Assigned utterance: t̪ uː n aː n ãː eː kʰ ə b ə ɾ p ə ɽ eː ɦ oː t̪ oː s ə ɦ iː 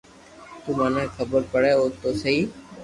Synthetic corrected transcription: t̪ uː m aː n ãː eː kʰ ə b ə ɾ p ə ɽ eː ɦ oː t̪ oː s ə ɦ iː